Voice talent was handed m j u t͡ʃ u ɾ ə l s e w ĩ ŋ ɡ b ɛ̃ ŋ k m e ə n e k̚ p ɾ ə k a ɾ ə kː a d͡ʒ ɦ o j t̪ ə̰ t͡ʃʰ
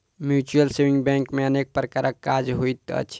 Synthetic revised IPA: m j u t͡ʃ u ə l s e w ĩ ŋ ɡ b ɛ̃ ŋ k m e ə n e k̚ p ɾ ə k a ɾ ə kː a d͡ʒ ɦ o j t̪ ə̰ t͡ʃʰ